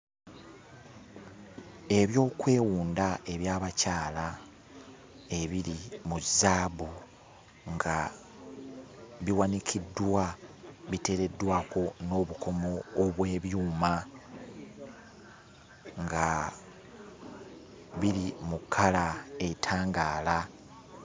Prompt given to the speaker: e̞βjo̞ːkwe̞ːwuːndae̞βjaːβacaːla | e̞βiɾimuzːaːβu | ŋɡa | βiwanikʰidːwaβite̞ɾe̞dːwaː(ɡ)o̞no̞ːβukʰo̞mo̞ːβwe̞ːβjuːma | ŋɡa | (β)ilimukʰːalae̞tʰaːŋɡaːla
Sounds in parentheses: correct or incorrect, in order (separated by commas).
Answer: incorrect, correct